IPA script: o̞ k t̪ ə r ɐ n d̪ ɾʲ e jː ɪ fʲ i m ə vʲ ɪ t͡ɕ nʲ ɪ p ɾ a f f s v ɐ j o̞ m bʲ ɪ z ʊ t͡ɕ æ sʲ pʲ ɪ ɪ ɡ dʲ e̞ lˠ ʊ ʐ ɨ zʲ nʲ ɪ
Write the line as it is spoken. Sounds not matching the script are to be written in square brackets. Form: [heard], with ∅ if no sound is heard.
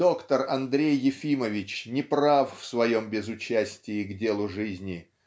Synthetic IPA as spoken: o̞ k t̪ ə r ɐ n d̪ ɾʲ e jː ɪ fʲ i m ə vʲ ɪ t͡ɕ nʲ ɪ p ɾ a f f s v ɐ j o̞ m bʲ ɪ z ʊ t͡ɕ æ sʲ [tʲ] ɪ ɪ ɡ dʲ e̞ lˠ ʊ ʐ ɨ zʲ nʲ ɪ